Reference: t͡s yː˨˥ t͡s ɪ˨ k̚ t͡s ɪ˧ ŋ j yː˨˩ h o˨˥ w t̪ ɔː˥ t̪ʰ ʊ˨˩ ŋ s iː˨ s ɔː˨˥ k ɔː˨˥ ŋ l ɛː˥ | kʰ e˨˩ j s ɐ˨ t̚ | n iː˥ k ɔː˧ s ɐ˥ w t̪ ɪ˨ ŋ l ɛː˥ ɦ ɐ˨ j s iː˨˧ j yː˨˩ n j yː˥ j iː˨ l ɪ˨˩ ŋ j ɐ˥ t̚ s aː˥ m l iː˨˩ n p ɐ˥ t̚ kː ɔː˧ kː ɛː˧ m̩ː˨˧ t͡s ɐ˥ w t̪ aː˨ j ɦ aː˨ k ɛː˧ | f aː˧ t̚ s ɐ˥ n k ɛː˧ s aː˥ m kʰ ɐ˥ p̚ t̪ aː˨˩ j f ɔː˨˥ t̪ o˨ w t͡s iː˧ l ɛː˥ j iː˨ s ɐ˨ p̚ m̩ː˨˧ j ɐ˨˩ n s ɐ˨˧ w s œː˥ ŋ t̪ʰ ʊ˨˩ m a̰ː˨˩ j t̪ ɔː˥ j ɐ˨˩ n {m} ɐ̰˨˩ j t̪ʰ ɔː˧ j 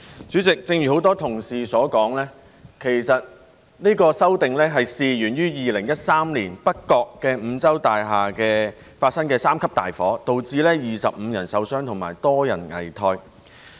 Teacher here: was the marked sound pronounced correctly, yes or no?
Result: no